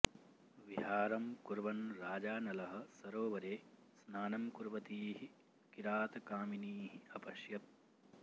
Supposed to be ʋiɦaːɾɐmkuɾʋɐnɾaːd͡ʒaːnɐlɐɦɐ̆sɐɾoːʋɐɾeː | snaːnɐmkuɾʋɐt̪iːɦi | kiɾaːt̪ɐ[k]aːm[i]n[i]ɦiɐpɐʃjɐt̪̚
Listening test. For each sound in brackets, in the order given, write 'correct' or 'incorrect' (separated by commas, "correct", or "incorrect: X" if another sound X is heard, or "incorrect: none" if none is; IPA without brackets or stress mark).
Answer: correct, correct, incorrect: iː